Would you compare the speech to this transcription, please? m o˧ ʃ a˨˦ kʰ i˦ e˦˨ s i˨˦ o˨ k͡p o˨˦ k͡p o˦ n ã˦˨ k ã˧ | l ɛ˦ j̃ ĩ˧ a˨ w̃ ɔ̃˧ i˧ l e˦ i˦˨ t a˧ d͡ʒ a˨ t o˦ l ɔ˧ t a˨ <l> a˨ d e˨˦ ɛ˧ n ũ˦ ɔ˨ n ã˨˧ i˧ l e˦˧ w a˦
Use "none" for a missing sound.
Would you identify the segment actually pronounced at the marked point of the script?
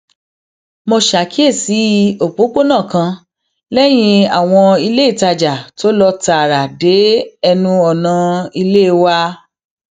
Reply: ɾ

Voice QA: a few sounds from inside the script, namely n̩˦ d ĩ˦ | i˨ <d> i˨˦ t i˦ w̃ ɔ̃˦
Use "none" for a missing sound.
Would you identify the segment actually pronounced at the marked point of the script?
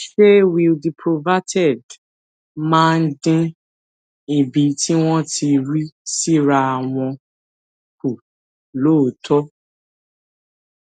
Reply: b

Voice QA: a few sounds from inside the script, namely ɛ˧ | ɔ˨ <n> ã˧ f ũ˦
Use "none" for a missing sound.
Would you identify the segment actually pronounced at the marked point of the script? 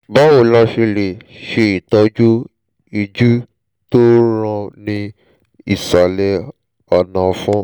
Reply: n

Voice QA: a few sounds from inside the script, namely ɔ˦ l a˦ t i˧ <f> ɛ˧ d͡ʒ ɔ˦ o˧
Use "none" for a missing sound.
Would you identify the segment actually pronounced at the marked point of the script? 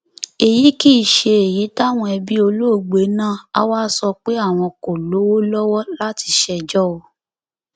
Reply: ʃ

